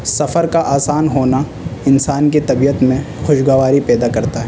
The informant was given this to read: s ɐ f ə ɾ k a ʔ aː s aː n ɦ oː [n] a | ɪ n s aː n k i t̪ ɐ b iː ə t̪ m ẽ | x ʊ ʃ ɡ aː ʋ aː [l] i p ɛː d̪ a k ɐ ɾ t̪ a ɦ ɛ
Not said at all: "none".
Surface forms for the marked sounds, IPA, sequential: n, ɾ

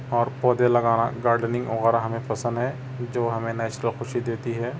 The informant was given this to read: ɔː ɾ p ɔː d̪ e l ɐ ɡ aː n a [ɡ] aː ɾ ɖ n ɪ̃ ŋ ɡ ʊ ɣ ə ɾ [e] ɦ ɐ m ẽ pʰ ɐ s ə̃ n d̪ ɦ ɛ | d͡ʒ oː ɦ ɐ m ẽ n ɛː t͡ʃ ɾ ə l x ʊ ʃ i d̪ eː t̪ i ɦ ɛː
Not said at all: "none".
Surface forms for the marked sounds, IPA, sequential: ɡ, a

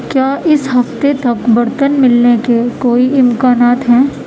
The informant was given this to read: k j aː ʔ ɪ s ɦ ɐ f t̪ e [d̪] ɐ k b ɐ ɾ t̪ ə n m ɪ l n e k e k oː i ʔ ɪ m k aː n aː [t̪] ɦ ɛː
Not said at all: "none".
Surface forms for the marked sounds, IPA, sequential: t̪, t̪

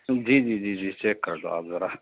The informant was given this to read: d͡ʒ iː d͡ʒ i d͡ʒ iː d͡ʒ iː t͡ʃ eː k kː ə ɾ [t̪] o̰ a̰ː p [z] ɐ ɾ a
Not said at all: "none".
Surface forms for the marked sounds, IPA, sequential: d̪, z

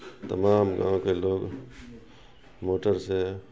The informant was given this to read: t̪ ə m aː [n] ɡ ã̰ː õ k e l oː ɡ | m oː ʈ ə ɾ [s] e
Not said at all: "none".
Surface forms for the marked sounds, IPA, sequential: m, s

